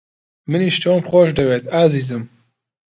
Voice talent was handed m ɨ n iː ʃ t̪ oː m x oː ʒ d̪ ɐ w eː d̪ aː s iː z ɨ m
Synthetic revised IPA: m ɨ n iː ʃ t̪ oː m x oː ʃ d̪ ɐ w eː t̪ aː z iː z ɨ m